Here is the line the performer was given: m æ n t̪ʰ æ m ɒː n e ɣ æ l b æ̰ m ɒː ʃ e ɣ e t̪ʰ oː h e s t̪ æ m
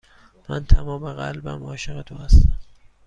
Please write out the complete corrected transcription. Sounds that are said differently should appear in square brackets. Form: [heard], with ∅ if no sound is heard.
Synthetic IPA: m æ n t̪ʰ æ m ɒː [m] e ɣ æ l b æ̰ m ɒː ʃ e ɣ e t̪ʰ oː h [æ] s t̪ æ m